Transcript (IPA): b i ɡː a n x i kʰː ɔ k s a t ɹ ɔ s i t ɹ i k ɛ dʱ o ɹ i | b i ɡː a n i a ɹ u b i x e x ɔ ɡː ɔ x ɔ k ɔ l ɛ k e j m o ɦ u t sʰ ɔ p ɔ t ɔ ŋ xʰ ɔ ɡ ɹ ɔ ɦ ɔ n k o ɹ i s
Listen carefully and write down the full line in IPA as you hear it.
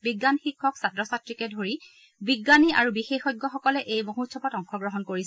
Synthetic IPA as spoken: b i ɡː a n x i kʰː ɔ k s a t ɹ ɔ s a t ɹ i k ɛ dʱ o ɹ i | b i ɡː a n i a ɹ u b i x e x ɔ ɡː ɔ x ɔ k ɔ l ɛ ʔ e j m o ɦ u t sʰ ɔ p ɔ t ɔ ŋ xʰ ɔ ɡ ɹ ɔ ɦ ɔ n k o ɹ i s